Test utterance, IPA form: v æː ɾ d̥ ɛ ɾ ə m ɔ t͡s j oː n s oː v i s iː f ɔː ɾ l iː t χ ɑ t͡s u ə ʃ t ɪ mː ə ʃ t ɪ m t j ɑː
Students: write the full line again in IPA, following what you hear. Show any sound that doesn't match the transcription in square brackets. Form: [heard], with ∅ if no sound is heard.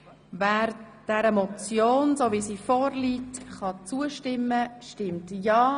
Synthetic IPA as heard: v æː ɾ d̥ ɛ ɾ ə m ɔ t͡s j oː n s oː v i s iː f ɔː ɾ l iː t χ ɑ t͡s u ə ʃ t ɪ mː ə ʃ t ɪ m t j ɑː